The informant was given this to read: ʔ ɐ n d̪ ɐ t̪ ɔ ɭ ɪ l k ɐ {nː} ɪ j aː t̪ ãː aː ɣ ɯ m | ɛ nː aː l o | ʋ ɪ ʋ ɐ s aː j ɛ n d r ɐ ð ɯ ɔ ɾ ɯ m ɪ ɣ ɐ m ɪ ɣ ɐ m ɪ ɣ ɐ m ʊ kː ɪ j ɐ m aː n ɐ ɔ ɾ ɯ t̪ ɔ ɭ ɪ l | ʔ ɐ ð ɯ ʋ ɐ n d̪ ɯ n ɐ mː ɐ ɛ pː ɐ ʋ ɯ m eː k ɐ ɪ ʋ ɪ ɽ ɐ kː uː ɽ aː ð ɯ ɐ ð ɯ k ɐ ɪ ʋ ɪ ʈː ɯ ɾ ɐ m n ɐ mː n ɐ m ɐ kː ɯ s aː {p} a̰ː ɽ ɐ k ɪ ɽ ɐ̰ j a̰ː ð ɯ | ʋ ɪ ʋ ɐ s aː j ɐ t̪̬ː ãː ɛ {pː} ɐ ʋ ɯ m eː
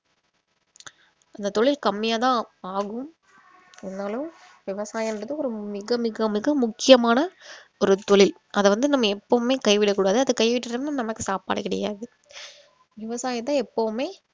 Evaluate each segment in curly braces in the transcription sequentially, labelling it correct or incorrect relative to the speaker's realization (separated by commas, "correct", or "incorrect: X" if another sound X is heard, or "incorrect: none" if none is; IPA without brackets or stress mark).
incorrect: mː, correct, correct